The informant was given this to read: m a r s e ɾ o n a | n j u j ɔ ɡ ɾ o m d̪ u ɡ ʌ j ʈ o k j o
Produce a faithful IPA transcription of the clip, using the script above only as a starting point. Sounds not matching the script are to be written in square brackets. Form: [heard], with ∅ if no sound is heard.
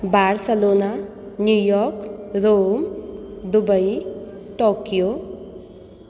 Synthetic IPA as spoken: [b] a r s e [l] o n a | n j u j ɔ [k] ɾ o m d̪ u [b] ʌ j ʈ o k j o